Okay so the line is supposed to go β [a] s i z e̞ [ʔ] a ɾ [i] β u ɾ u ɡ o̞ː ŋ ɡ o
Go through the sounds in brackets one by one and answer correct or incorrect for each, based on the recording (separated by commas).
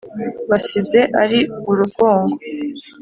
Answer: correct, correct, correct